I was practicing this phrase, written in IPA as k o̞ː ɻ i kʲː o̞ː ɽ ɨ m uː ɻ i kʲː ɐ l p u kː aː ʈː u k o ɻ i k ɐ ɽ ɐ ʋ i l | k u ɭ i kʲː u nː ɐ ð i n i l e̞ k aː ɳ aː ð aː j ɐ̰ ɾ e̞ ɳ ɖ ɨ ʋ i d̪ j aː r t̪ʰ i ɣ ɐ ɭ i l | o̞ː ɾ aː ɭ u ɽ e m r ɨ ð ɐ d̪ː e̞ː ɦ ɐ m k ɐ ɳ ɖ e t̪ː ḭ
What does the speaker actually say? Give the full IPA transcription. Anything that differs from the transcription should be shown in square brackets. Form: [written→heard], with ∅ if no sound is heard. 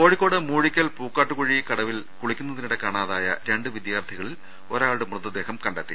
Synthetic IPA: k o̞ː ɻ i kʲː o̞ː ɽ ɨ m uː ɻ i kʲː ɐ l p [u→uː] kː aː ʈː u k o ɻ i k ɐ ɽ ɐ ʋ i l | k u ɭ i kʲː u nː ɐ ð i n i [l→ɽ] e̞ k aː ɳ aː ð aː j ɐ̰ ɾ e̞ ɳ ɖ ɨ ʋ i d̪ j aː r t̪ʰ i ɣ ɐ ɭ i l | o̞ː ɾ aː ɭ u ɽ e m r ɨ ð ɐ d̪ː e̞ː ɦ ɐ m k ɐ ɳ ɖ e t̪ː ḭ